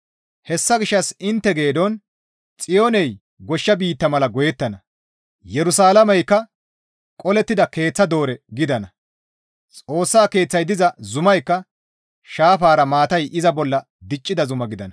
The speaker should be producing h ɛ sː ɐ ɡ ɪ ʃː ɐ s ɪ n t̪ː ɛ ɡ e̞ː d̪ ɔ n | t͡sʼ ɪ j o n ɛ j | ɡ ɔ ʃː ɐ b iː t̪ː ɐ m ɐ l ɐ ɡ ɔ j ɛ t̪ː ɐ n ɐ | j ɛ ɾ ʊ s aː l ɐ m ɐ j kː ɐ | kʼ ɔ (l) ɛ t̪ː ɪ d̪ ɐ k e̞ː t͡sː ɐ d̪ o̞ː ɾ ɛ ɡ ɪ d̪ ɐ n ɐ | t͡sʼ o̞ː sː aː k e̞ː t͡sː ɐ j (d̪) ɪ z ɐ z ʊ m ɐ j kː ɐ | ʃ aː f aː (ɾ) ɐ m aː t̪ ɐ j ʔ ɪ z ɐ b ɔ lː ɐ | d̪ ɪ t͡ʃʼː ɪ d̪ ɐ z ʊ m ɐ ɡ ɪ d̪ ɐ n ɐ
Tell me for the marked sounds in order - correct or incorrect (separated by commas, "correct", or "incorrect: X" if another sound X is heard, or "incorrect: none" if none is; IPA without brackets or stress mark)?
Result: correct, correct, correct